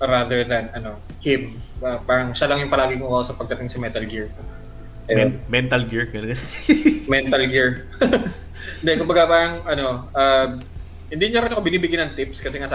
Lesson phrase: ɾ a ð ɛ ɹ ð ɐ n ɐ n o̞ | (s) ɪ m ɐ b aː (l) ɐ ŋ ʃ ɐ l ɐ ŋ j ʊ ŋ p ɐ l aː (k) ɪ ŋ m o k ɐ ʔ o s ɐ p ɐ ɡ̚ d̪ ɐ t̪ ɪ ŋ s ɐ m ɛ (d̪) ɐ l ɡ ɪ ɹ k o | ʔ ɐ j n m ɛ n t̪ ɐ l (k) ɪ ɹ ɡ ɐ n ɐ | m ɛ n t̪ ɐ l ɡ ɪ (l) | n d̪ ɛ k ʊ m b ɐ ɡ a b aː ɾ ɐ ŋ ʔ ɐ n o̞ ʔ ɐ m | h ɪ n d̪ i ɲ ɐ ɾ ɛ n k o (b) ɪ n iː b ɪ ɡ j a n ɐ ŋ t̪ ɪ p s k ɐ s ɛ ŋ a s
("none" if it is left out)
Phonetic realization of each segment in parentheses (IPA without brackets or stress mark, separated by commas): h, ɾ, ɡ, t̪, ɡ, ɹ, b